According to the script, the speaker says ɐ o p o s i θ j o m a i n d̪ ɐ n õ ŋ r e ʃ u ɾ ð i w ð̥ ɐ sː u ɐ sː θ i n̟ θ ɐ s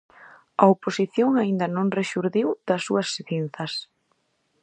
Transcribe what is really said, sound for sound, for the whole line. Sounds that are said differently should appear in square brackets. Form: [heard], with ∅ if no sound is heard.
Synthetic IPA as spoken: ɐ o p o s i θ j o [ŋ] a i n d̪ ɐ n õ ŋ r e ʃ u ɾ ð i w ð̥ ɐ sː u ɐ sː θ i n̟ θ ɐ s